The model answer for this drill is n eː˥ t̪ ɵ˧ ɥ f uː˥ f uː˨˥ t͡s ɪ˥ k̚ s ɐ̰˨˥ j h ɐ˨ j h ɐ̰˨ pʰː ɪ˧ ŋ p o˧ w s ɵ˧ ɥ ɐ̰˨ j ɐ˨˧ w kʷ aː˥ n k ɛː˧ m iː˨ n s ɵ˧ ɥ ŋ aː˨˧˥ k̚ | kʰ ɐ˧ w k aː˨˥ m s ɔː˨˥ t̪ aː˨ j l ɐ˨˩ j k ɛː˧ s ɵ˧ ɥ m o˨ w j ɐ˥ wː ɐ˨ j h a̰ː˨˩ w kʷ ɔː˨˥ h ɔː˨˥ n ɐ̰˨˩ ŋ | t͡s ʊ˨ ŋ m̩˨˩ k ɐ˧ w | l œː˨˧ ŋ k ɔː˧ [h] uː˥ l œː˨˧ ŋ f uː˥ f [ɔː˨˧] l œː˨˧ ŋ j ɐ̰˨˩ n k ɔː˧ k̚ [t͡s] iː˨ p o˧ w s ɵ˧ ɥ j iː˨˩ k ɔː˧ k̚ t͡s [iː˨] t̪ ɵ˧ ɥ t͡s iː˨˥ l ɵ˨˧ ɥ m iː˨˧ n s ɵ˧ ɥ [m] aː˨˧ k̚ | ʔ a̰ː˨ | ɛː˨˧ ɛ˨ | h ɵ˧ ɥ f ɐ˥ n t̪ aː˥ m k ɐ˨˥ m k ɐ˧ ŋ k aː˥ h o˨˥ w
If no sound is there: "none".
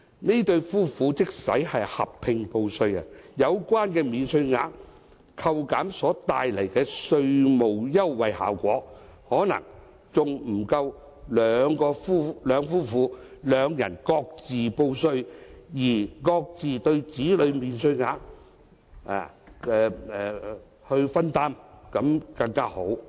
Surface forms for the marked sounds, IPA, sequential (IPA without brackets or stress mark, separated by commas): f, uː˨˧, t͡s, iː˨, ŋ